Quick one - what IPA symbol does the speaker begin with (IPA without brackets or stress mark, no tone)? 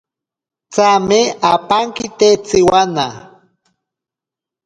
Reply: t͡s